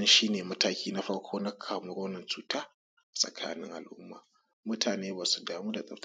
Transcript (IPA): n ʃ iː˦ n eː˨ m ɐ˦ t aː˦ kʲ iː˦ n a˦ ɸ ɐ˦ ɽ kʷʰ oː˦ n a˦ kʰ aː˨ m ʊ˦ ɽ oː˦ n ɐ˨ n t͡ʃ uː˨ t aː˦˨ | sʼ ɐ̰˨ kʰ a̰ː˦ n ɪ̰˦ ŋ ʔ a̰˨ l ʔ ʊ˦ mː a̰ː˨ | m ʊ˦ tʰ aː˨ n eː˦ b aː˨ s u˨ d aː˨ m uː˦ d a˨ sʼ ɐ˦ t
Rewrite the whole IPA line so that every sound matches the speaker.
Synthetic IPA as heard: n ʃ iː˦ n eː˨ m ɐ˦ t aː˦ kʲ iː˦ n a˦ ɸ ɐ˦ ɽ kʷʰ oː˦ n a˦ kʰ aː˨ m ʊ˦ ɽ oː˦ n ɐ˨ n t͡ʃ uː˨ t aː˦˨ | sʼ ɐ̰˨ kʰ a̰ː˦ n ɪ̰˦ ŋ ʔ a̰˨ l ʔ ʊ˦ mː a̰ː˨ | m ʊ˦ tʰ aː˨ n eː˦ b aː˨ s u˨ d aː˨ m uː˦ d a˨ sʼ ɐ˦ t